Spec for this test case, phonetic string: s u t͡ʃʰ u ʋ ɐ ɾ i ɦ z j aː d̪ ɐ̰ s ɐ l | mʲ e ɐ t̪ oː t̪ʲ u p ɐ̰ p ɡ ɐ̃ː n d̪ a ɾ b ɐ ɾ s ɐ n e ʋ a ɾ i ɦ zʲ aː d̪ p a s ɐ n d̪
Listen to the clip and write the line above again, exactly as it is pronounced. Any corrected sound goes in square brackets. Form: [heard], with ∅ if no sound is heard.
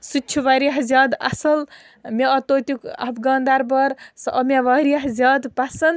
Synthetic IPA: s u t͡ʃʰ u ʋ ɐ ɾ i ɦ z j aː d̪ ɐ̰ s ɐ l | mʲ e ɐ t̪ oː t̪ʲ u [k] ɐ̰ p ɡ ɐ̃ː n d̪ a ɾ b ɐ ɾ s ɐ [m] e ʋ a ɾ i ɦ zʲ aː d̪ p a s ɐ n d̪